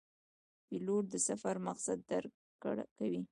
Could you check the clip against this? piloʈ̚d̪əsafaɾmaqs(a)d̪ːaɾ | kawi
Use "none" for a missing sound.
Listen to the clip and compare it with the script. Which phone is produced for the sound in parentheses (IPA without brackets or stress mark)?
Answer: a